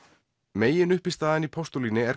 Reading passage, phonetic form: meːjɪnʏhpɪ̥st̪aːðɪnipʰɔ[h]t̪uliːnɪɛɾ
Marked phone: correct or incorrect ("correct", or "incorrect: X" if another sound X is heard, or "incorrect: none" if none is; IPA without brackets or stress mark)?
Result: incorrect: s